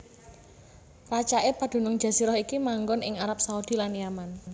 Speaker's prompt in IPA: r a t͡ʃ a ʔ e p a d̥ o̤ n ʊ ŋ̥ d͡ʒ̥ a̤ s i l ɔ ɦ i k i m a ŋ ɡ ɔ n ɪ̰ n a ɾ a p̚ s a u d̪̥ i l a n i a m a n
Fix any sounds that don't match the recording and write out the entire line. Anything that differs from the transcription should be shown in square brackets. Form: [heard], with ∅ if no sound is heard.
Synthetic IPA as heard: r a t͡ʃ a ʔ e p a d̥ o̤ n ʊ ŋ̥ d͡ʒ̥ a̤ s i [ɾ] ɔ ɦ i k i m a ŋ ɡ ɔ n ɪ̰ [ŋ] a ɾ a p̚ s a u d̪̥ i l a n [j] a m a n